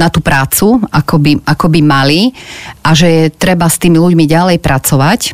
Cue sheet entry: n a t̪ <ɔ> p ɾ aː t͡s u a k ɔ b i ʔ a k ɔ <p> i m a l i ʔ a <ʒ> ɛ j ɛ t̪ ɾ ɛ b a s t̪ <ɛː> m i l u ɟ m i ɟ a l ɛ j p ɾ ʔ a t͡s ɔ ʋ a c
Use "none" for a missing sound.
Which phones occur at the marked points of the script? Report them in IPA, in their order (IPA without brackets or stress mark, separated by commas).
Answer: u, b, ʒ, iː